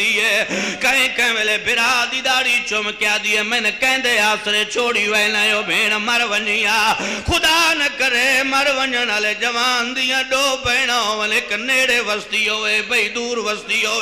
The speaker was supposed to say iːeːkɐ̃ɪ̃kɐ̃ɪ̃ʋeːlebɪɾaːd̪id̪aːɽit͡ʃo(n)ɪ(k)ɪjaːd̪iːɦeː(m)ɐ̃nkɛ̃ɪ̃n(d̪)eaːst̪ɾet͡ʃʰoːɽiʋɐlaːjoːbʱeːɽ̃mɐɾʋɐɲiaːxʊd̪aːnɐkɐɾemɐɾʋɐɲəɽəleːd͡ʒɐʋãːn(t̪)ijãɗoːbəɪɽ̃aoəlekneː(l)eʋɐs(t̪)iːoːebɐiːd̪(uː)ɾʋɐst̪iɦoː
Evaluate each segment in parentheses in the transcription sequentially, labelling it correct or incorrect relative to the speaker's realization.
incorrect: m, correct, correct, correct, incorrect: d̪, incorrect: ɽ, correct, correct

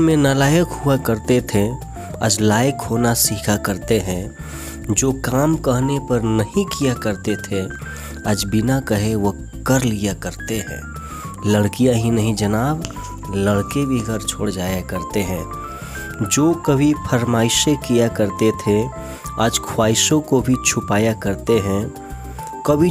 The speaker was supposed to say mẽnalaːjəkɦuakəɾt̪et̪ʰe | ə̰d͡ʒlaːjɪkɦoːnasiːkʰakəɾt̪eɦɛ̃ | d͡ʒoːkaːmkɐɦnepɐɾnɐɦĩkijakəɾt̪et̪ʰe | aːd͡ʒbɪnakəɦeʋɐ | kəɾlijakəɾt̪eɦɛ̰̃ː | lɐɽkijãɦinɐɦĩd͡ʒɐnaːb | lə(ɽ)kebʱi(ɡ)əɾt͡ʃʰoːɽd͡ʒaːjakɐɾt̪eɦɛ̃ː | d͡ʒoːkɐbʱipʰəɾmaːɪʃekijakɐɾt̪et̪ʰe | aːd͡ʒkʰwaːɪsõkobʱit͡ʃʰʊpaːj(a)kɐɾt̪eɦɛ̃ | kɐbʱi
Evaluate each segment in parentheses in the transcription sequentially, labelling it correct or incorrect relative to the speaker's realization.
correct, correct, correct

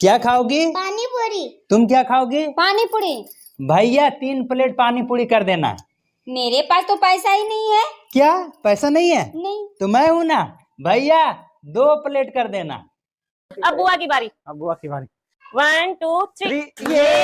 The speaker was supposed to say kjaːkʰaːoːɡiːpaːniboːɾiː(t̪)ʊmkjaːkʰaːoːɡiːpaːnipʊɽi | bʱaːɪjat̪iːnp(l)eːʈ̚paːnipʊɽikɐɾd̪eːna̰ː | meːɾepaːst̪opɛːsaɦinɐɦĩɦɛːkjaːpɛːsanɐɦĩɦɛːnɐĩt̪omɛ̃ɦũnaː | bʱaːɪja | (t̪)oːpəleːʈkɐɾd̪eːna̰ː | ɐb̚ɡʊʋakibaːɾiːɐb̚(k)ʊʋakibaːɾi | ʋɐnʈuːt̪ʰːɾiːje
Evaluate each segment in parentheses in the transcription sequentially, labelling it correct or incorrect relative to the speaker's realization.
correct, correct, incorrect: d̪, incorrect: ɡ

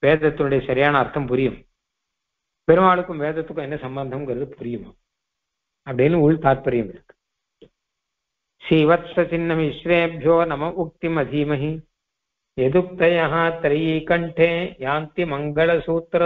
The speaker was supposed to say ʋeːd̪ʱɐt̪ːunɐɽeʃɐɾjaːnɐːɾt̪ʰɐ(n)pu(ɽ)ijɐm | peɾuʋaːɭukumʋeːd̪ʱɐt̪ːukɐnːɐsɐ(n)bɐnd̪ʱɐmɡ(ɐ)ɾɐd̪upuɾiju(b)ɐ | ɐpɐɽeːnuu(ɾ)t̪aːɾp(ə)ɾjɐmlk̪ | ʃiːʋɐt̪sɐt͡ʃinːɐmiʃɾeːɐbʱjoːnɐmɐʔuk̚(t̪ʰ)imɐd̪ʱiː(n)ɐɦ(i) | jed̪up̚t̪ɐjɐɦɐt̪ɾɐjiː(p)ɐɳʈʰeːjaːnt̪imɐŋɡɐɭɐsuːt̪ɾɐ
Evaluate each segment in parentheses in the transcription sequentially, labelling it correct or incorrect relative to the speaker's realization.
incorrect: m, incorrect: ɾ, incorrect: m, correct, incorrect: m, incorrect: ɭ, incorrect: ɐ, incorrect: t̪, incorrect: m, correct, incorrect: k

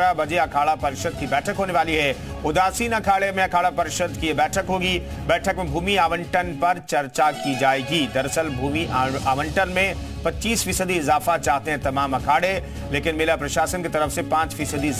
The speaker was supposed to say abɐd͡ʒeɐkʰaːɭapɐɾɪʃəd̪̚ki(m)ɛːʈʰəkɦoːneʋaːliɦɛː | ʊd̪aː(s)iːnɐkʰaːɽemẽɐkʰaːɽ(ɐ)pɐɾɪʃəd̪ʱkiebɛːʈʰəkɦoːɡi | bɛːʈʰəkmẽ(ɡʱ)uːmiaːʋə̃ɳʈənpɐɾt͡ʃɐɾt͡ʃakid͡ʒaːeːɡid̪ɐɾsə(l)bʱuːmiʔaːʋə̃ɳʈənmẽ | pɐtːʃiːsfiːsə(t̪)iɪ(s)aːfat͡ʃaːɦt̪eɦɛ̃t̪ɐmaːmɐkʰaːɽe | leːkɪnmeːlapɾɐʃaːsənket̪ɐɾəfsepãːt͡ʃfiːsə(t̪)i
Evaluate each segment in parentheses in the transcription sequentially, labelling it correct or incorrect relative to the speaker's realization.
incorrect: b, correct, incorrect: a, incorrect: bʱ, correct, incorrect: d̪, incorrect: z, incorrect: d̪

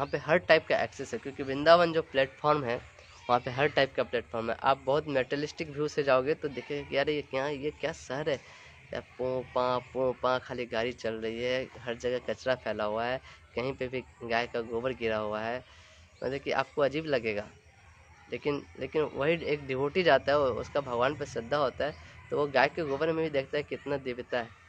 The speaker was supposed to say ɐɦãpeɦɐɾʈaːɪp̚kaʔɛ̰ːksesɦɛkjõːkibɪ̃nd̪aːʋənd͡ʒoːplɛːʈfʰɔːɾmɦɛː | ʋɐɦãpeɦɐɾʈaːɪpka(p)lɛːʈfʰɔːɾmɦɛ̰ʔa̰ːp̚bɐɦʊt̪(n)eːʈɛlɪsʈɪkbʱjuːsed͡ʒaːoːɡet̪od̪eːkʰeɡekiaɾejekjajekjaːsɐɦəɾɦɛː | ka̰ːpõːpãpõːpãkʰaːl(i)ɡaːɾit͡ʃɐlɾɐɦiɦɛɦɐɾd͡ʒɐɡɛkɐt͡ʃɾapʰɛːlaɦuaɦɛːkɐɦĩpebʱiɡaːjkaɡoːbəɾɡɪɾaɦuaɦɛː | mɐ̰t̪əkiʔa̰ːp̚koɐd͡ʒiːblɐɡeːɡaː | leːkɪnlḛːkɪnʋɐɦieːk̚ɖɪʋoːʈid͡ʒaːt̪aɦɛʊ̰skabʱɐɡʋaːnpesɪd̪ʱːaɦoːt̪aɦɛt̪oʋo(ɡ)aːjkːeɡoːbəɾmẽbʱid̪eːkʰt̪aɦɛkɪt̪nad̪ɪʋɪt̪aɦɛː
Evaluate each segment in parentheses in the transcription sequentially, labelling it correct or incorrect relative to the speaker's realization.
correct, incorrect: m, correct, correct

